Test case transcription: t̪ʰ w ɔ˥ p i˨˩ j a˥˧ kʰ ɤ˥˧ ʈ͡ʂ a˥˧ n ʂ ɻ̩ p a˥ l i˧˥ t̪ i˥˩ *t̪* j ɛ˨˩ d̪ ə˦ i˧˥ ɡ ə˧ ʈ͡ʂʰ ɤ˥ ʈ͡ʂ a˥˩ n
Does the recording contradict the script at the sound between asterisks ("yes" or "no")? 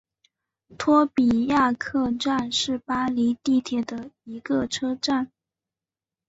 yes